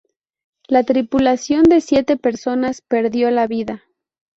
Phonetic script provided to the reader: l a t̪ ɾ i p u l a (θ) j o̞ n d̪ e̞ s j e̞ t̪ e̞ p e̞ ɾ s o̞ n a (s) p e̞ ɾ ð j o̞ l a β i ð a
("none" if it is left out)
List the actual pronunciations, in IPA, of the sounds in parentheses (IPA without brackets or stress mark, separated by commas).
s, s